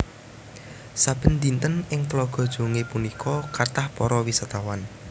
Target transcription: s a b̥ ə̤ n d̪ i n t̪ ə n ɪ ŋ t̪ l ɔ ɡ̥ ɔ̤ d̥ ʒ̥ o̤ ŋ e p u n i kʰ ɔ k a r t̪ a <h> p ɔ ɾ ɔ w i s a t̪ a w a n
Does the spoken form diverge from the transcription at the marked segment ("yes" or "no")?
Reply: no